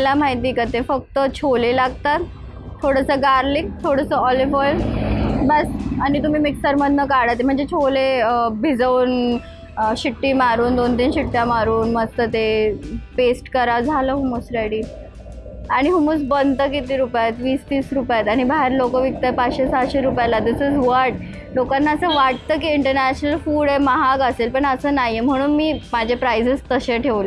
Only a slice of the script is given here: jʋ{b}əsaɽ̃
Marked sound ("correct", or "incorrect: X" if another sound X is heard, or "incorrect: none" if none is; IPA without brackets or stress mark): correct